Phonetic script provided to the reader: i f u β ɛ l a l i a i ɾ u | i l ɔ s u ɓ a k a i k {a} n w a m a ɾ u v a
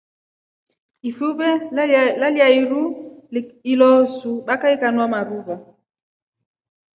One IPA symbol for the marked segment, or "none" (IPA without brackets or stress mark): a